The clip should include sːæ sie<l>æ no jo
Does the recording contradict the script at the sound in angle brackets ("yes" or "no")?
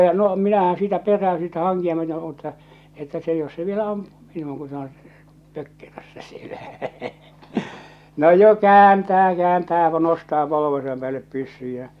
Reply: no